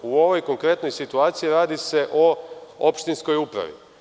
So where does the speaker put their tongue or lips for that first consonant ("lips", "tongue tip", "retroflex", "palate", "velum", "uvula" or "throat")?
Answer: lips